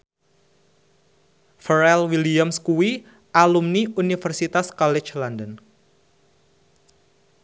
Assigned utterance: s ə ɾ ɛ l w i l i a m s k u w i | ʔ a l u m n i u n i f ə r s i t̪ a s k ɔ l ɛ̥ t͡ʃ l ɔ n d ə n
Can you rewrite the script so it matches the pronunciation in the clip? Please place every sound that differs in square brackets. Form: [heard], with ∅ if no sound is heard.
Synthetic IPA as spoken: [f] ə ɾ ɛ l w i l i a m s k u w i | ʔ a l u m n i u n i f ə r s i t̪ a s k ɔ l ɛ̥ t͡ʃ l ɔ n d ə n